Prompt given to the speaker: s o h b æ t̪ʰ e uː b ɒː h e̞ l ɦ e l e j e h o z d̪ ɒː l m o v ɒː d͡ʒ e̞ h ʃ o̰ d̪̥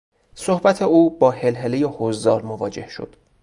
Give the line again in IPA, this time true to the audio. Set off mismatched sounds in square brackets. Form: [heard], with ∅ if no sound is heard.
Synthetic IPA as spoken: s o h b æ t̪ʰ e uː b ɒː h e̞ l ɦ e l e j e h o z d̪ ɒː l m o v ɒː d͡ʒ e̞ h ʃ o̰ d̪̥